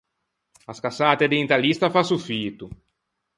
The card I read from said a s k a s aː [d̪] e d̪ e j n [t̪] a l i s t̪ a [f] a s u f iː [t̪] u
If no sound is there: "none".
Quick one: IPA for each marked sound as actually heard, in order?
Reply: t̪, t̪, f, t̪

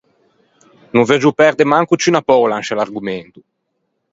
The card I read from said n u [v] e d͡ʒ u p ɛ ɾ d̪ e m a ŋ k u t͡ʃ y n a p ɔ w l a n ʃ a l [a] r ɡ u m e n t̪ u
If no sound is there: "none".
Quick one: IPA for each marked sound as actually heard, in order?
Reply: v, a

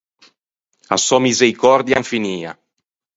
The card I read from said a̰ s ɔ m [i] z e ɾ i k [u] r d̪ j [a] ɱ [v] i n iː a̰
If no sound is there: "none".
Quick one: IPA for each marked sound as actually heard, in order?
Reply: i, ɔ, a, f

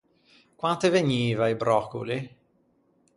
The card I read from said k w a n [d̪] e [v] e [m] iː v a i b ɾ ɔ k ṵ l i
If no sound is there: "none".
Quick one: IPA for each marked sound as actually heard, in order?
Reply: t̪, v, ɲ

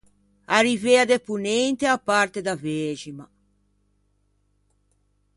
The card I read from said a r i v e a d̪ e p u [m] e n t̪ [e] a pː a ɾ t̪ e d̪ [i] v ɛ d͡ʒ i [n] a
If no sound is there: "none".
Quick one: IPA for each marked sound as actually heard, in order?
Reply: n, e, a, m

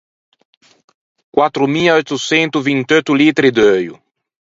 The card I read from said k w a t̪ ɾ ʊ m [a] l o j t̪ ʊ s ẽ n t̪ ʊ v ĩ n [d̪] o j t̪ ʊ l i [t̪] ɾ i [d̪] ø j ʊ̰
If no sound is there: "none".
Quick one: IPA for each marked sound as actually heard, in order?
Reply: i, t̪, t̪, d̪

